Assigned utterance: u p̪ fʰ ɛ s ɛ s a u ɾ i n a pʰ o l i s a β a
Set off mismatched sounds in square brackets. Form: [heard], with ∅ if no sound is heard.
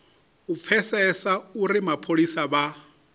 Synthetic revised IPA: u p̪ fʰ ɛ s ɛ s a u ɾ i [m] a pʰ o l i s a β a